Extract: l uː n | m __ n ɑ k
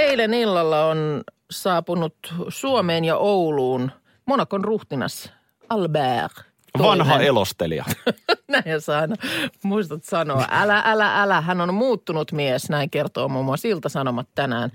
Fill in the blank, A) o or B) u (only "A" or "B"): A